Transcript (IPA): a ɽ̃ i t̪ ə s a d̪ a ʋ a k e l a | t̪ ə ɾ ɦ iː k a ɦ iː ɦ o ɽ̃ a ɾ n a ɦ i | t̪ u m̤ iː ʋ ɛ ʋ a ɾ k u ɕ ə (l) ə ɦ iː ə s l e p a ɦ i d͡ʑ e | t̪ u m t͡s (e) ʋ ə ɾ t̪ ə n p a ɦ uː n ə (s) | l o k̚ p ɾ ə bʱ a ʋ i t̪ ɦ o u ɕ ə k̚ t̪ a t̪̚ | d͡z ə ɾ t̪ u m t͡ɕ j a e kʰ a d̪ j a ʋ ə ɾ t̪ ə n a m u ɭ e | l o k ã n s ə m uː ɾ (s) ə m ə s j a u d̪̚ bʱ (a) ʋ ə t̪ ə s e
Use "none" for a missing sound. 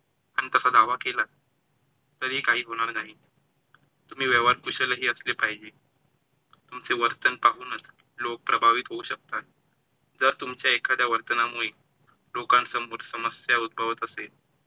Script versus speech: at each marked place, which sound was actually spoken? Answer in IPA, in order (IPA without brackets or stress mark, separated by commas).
l, e, t͡s, s, ə